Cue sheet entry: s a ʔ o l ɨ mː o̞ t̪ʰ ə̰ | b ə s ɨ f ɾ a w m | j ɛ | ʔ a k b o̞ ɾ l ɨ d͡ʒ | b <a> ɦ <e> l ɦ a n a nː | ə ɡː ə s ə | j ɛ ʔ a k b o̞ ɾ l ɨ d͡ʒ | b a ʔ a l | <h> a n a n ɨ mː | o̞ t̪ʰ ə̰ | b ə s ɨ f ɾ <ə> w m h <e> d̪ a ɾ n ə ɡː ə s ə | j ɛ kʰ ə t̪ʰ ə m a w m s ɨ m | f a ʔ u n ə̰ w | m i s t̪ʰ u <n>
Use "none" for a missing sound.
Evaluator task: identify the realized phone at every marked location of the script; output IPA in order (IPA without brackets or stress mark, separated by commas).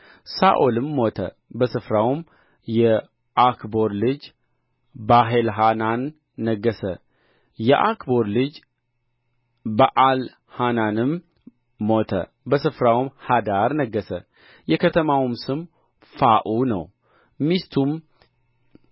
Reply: a, e, h, a, a, m